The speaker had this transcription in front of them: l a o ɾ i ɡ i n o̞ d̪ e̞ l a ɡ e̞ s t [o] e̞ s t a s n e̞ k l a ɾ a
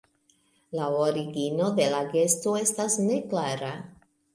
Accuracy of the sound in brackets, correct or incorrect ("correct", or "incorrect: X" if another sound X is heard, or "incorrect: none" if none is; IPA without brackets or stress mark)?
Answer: correct